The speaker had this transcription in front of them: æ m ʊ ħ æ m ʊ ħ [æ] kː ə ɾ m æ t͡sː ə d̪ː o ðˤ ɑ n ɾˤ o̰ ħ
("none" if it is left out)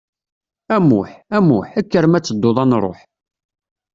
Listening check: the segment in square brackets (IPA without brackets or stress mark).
æ